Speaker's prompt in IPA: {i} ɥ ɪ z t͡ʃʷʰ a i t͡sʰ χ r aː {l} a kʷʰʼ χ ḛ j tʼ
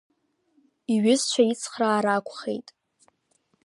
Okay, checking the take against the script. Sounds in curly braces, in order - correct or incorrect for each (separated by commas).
correct, incorrect